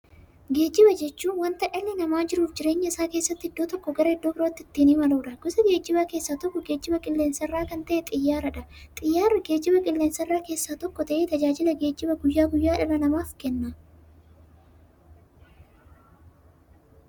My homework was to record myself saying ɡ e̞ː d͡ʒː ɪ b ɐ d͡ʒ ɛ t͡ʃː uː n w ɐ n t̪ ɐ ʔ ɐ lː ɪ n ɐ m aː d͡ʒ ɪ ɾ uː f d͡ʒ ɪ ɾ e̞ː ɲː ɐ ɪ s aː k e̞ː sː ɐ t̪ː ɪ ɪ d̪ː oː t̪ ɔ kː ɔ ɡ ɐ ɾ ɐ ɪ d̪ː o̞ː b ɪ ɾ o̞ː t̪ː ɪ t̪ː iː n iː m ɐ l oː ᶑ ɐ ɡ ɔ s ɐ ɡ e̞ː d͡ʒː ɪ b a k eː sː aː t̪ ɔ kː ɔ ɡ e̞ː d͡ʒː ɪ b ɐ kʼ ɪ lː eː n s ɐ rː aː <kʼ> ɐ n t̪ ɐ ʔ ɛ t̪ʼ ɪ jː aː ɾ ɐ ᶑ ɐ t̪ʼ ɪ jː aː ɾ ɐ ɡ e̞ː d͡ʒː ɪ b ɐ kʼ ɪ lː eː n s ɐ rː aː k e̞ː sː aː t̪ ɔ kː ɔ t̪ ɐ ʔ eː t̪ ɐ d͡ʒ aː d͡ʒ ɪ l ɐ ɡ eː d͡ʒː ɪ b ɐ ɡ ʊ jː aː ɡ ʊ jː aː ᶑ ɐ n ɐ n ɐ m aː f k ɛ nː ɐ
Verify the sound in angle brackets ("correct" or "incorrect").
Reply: incorrect